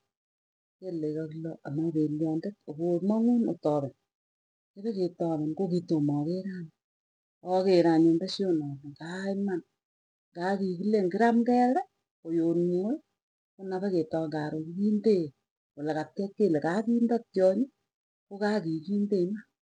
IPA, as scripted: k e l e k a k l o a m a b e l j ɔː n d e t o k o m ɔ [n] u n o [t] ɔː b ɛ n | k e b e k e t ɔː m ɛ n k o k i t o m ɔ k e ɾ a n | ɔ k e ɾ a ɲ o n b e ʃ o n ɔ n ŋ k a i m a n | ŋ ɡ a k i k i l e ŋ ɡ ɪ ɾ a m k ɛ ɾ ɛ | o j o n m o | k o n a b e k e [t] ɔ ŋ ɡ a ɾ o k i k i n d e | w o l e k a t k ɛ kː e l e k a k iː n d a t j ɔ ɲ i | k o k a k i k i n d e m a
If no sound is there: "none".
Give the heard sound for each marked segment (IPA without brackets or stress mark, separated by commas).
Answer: ŋ, t, t